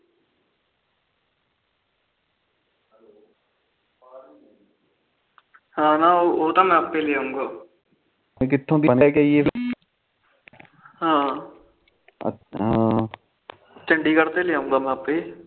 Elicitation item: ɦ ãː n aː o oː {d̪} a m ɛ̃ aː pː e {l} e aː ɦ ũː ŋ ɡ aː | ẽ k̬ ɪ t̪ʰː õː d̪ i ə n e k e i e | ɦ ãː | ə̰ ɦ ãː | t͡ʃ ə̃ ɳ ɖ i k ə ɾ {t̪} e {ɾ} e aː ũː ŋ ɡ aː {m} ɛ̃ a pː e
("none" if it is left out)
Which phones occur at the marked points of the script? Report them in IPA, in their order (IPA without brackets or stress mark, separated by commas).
t̪, l, t̪, l, m